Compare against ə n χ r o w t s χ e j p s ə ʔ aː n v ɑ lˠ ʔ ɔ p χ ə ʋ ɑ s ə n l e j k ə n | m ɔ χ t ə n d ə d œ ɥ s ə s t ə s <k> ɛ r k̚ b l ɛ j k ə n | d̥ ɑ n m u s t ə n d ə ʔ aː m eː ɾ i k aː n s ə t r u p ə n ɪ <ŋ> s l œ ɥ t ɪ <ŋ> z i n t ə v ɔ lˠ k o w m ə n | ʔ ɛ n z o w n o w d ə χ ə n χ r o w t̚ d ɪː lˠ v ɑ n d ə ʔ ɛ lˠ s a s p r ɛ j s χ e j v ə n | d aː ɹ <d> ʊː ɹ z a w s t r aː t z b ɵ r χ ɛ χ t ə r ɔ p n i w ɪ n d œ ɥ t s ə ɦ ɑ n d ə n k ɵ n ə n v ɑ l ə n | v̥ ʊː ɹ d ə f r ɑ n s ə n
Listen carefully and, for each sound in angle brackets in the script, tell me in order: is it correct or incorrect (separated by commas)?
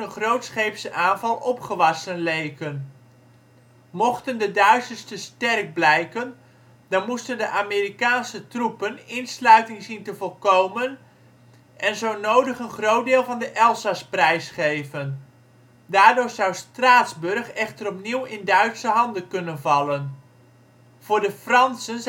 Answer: incorrect, incorrect, correct, correct